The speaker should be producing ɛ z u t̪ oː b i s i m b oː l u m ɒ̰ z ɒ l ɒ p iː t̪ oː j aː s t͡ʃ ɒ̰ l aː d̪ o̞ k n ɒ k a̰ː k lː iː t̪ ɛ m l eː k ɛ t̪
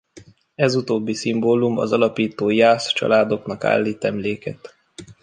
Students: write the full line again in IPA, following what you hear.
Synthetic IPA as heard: ɛ z u t̪ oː bː i s i m b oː l u m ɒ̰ z ɒ l ɒ p iː t̪ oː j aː s t͡ʃ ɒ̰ l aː d̪ o̞ k n ɒ k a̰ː lː iː t̪ ɛ m l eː k ɛ t̪